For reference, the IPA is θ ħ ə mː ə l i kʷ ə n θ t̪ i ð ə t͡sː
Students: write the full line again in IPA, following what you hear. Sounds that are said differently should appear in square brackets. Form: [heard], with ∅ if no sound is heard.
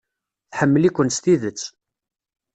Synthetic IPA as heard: θ ħ ə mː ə l i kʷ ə n [s] t̪ i ð ə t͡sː